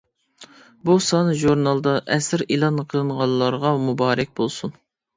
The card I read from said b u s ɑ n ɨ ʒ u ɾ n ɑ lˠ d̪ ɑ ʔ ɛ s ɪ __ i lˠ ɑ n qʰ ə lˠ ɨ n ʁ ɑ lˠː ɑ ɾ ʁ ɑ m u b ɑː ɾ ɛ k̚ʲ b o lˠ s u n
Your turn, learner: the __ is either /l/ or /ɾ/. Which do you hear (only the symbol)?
ɾ